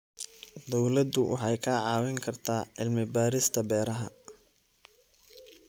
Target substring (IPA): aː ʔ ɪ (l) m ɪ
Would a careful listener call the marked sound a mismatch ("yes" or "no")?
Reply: no